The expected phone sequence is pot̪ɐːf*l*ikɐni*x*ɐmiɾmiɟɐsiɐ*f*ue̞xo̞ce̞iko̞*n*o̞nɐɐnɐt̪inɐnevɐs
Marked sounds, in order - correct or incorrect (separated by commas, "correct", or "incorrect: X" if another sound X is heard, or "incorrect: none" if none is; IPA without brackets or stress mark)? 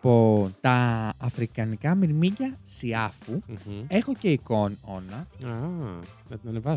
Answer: incorrect: ɾ, incorrect: k, correct, correct